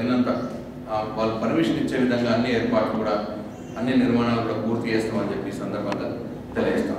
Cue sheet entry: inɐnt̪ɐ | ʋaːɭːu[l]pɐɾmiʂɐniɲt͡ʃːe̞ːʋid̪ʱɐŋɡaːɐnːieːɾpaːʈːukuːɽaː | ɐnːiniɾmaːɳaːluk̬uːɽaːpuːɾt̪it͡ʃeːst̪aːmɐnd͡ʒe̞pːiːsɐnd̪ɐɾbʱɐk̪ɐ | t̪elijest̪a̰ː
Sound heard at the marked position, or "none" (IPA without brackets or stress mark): none